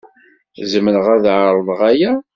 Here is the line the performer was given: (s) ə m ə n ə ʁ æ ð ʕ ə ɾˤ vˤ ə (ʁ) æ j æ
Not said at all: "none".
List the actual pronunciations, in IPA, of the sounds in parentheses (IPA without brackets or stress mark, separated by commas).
z, ʁ